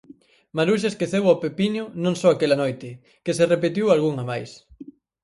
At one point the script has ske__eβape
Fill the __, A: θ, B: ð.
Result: A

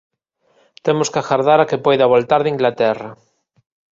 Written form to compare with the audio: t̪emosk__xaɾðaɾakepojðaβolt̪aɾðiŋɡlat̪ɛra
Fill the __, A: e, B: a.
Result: B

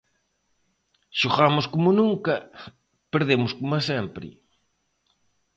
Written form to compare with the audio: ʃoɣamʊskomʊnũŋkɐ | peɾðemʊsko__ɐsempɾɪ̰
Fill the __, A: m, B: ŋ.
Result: A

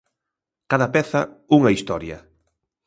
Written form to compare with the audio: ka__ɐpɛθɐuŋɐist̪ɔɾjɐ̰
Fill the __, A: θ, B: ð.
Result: B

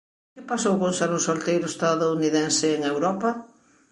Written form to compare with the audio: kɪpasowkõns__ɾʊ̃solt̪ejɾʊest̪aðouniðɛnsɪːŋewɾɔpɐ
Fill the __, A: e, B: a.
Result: B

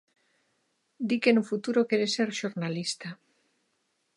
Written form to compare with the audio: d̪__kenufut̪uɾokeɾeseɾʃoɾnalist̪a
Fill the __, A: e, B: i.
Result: B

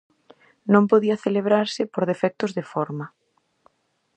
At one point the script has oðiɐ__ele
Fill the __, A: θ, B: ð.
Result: A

